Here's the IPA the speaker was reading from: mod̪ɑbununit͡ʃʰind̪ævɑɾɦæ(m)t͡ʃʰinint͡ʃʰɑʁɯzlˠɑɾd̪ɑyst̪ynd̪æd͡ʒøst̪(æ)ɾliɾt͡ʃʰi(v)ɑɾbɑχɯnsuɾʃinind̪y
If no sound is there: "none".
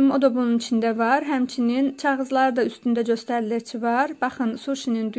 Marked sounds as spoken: m, æ, v

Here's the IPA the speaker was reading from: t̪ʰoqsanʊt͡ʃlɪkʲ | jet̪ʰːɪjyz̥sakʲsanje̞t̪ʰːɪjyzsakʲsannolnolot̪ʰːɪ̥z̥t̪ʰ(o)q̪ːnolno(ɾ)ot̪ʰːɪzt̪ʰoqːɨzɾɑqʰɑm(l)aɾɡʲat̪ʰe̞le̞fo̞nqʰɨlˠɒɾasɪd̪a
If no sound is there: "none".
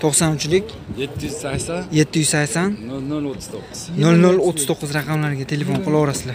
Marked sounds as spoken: o, l, l

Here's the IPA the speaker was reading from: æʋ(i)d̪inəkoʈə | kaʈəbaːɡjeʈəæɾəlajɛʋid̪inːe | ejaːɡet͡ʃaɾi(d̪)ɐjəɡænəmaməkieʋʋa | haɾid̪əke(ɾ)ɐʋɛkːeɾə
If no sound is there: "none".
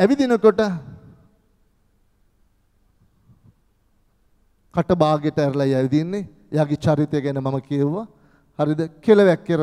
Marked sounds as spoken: i, t̪, l

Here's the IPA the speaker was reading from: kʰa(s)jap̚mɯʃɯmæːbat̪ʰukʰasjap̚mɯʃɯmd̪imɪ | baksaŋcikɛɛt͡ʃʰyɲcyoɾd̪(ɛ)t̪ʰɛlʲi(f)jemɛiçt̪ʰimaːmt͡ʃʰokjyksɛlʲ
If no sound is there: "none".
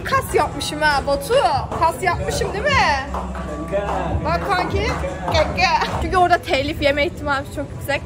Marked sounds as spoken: s, a, f

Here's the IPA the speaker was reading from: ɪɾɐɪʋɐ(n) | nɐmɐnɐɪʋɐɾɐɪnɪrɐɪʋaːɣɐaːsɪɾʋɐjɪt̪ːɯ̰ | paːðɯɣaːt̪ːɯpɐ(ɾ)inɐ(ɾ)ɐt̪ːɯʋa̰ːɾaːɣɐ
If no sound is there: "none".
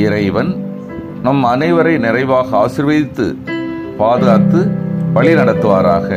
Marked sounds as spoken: n, ɭ, ɽ

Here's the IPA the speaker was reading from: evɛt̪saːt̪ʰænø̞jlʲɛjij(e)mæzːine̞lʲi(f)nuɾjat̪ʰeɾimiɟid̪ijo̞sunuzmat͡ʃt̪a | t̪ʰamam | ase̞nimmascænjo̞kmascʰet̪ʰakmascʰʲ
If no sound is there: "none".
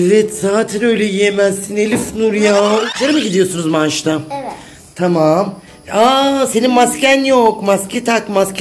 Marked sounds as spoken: e, f

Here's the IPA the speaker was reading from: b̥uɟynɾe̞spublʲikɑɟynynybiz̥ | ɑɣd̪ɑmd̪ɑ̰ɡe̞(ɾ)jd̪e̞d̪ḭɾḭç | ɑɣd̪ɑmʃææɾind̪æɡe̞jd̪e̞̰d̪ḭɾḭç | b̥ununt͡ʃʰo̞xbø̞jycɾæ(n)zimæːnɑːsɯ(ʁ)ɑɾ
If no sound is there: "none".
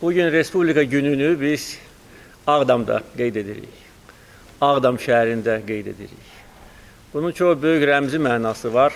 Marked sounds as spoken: none, m, v

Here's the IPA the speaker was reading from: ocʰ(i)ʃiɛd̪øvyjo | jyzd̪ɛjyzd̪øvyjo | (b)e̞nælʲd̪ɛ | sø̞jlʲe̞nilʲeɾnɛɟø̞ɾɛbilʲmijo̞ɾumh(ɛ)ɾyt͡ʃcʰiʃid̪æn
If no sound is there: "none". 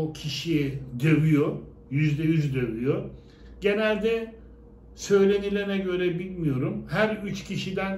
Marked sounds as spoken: i, ɟ, æ

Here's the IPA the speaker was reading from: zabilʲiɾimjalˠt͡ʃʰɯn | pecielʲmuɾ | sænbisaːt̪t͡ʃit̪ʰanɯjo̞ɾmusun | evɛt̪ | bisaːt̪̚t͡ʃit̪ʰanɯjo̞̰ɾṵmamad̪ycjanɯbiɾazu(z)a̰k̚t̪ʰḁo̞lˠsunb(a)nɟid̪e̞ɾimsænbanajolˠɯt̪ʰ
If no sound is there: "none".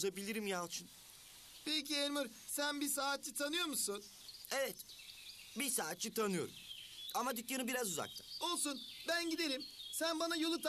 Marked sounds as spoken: z, æ

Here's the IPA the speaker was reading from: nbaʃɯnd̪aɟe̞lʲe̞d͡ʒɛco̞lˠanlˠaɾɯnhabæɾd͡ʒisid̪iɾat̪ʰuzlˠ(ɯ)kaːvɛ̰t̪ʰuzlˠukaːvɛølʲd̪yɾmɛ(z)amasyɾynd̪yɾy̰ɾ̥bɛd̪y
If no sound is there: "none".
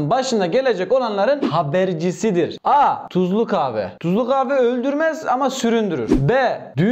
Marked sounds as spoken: u, z

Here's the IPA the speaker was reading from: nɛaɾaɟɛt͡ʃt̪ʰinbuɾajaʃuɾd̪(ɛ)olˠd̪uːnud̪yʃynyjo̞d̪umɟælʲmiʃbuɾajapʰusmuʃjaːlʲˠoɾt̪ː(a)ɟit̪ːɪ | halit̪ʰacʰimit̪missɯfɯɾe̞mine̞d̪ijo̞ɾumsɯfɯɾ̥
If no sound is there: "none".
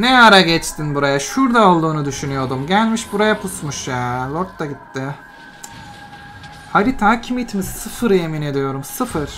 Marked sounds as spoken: a, a

